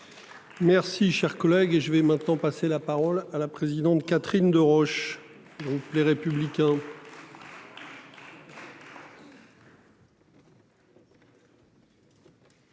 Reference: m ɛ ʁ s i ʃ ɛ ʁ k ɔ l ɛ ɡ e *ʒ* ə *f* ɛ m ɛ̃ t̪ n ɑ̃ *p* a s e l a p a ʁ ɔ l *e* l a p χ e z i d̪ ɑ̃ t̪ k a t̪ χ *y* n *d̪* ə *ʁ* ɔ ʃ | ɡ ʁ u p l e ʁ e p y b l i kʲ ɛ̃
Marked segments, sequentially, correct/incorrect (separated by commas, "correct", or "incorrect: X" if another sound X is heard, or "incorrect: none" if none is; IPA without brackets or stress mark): correct, incorrect: v, correct, incorrect: a, incorrect: i, correct, correct